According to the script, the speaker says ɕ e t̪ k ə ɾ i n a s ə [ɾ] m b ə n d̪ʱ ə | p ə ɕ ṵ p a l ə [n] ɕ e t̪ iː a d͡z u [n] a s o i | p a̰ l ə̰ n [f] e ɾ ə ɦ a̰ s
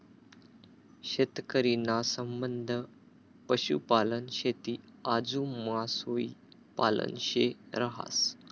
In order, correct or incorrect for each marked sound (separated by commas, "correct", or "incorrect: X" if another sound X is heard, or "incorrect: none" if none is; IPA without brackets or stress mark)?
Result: incorrect: none, correct, incorrect: m, incorrect: ɕ